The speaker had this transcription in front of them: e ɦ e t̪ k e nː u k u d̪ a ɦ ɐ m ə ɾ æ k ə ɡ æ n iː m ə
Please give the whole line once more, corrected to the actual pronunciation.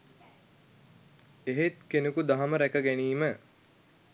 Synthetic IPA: e ɦ e t̪ k e n u k u d̪ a ɦ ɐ m ə ɾ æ k ə ɡ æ n iː m ə